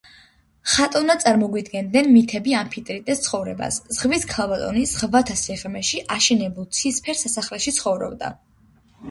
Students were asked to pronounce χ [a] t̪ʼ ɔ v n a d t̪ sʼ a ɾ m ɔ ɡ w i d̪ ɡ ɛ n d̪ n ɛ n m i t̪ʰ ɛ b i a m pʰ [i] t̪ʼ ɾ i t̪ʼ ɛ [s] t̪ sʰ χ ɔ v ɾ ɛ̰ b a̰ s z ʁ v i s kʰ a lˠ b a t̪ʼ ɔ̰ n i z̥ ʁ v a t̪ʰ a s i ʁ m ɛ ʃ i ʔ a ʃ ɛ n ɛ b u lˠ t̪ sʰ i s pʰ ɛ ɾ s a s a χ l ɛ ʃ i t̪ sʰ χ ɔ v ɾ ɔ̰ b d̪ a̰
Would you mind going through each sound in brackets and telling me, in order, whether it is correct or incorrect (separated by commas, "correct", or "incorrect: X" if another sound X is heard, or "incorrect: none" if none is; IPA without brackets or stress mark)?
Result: correct, correct, correct